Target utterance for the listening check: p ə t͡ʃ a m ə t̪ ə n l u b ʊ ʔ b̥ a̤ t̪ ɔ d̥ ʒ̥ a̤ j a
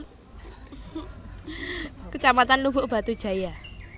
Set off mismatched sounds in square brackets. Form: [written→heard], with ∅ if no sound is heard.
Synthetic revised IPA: [p→k] ə t͡ʃ a m [ə→a] t̪ [ə→a] n l u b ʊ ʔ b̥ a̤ t̪ [ɔ→u] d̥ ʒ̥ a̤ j a